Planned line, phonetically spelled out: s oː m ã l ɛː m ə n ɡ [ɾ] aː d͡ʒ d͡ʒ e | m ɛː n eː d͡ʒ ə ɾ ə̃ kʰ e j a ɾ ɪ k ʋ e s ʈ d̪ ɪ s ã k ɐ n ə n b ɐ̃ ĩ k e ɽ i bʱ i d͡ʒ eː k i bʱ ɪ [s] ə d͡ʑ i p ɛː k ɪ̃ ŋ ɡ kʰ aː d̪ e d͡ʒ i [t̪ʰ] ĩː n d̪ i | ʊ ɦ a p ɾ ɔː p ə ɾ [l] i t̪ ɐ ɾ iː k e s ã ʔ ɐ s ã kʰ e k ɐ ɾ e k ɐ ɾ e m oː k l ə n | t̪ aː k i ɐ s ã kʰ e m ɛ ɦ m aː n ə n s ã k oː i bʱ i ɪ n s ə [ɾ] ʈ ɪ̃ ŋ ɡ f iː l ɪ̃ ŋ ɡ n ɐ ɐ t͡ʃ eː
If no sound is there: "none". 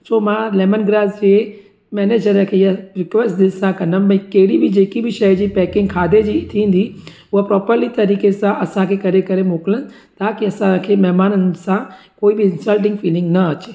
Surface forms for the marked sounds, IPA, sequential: ɾ, ʃ, t̪ʰ, l, l

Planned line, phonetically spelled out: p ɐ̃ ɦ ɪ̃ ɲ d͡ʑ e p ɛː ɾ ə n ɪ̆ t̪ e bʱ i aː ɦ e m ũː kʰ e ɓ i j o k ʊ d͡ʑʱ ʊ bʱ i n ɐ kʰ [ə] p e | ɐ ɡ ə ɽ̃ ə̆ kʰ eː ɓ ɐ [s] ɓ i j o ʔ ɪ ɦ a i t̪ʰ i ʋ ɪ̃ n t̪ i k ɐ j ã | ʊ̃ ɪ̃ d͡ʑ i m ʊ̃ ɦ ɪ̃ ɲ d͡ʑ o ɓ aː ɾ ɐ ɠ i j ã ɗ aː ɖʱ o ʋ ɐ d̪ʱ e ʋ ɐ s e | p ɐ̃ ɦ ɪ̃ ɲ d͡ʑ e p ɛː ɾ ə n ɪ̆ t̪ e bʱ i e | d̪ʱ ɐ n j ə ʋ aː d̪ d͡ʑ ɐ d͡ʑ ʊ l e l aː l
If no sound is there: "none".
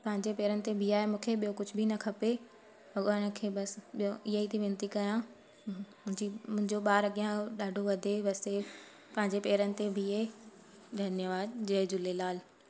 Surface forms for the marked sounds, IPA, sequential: ɐ, s

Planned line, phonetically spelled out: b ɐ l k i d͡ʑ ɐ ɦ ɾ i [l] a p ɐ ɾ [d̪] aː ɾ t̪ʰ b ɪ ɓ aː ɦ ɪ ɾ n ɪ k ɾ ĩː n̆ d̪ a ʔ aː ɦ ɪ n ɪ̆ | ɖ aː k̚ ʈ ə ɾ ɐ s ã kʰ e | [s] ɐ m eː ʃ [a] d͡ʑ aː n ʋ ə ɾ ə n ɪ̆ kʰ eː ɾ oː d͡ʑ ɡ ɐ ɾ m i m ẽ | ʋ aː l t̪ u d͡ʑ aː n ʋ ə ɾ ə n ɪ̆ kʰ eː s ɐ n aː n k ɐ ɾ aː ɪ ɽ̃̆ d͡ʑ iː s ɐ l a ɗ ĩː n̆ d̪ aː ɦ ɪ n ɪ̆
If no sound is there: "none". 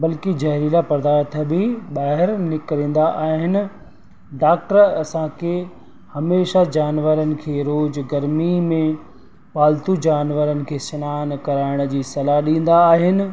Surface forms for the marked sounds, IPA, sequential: l, d̪, h, a

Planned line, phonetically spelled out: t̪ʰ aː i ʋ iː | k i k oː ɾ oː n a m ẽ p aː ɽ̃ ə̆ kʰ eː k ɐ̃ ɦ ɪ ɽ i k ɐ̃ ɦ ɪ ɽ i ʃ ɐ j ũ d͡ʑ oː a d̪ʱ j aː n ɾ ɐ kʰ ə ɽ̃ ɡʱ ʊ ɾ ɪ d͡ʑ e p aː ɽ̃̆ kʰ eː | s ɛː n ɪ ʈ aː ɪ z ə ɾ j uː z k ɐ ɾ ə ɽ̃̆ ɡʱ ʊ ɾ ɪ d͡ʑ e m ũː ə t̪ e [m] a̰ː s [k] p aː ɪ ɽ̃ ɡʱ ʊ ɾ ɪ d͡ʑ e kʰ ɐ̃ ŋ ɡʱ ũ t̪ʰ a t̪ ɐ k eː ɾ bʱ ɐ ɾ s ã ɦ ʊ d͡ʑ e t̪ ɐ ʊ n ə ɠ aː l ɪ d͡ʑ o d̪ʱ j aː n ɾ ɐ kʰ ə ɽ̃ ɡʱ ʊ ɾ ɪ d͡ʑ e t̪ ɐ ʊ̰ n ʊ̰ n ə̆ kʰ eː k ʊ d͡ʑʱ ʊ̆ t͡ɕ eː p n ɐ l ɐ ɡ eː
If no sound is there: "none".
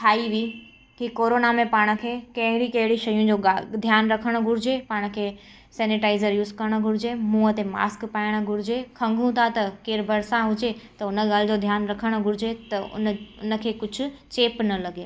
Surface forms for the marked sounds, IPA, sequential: m, k

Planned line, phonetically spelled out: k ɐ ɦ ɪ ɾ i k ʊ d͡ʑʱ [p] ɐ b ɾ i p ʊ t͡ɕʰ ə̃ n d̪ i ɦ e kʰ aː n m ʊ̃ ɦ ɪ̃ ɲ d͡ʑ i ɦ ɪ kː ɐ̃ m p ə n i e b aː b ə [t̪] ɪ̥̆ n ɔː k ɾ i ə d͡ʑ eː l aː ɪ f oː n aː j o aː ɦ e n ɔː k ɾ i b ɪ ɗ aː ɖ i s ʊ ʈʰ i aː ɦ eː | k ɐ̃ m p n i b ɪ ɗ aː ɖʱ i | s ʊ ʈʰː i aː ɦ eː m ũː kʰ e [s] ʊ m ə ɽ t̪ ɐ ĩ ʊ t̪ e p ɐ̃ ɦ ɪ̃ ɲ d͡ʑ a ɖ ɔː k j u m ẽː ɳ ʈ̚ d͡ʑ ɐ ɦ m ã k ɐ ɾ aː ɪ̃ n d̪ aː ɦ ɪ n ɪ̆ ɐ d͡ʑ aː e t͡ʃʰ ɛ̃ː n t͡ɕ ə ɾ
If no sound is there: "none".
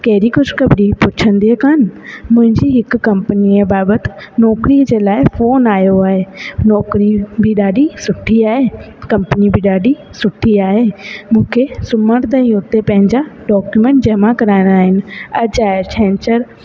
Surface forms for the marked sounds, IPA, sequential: k, t̪, s

